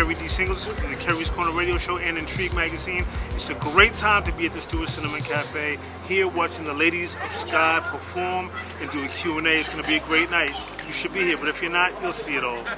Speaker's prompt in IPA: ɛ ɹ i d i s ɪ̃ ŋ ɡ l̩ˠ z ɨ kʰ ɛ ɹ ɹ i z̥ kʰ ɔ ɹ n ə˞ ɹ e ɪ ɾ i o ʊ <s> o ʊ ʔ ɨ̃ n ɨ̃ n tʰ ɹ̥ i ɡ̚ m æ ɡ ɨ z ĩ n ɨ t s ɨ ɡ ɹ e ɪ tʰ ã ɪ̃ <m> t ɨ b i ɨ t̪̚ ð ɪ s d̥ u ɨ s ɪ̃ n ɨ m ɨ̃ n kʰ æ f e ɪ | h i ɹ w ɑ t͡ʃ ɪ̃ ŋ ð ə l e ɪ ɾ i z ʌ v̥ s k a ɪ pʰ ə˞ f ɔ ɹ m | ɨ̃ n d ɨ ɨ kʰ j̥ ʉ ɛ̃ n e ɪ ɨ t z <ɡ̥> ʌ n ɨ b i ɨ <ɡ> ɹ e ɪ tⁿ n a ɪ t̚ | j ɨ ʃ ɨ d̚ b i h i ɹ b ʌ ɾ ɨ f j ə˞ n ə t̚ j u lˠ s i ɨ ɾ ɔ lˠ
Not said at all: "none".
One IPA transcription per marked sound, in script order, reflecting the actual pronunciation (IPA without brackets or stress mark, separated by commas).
ʃ, m, ɡ̥, ɡ